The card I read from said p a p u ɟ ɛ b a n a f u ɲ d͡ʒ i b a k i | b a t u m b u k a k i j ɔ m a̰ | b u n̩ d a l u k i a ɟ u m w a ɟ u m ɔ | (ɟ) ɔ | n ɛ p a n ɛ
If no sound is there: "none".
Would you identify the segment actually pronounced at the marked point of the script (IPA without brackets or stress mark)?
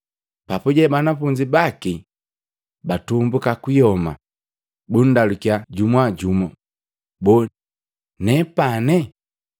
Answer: b